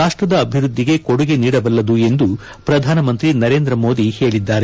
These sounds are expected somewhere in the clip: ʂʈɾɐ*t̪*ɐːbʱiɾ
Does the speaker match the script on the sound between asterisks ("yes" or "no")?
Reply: no